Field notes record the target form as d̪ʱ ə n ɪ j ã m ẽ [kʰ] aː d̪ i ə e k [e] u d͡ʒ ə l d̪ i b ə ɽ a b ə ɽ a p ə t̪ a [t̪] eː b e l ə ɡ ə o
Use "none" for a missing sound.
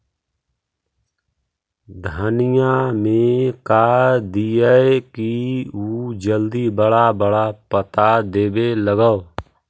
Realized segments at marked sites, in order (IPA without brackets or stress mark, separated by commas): k, i, d̪